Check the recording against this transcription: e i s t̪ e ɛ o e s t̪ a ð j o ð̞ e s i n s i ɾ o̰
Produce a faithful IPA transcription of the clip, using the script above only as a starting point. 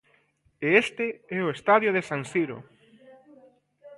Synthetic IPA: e e s t̪ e ɛ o e s t̪ a ð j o ð̞ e s a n s i ɾ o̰